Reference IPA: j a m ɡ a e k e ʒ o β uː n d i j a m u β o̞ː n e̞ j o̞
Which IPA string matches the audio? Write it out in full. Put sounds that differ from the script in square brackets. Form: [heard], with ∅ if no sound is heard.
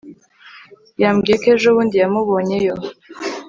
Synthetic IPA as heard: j a m ɡ [i] e k e ʒ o β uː n d i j a m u β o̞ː [ɲ] e̞ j o̞